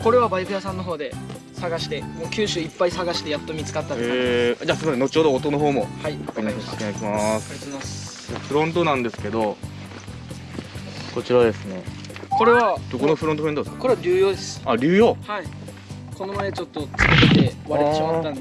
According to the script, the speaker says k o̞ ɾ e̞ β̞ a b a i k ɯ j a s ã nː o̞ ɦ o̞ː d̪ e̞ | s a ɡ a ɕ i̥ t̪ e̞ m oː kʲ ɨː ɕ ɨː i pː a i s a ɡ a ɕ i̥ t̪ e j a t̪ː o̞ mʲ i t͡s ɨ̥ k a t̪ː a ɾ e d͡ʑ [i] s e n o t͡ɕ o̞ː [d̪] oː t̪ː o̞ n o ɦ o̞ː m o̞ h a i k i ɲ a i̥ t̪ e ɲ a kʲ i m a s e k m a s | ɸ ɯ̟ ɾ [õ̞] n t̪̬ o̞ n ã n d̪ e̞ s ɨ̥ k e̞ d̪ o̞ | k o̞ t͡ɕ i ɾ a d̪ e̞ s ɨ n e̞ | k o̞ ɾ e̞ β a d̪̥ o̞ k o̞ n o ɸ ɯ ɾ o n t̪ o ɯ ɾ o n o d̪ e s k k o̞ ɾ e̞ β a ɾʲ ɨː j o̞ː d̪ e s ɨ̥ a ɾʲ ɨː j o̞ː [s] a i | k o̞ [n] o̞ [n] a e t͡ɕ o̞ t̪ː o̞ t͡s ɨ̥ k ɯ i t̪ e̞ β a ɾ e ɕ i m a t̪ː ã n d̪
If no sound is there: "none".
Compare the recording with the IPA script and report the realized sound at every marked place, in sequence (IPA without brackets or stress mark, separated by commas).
a, d̪, õ̞, h, n, m